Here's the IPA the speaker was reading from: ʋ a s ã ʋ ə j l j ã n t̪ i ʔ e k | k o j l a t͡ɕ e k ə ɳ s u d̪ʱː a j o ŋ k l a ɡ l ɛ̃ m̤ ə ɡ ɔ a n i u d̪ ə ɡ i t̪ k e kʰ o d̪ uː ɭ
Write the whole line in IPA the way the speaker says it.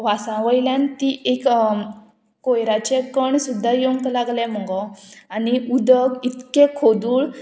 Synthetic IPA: ʋ a s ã ʋ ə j l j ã n t̪ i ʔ e k | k o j ɾ a t͡ɕ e k ə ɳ s u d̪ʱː a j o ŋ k l a ɡ l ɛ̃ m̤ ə ɡ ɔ a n i u d̪ ə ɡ i t̪ k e kʰ o d̪ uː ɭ